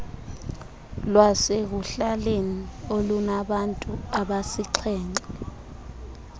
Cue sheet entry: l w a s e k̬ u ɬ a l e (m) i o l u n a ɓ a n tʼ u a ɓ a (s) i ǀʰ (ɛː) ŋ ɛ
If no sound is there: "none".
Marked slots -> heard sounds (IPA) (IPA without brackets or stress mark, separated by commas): n, s, ɛː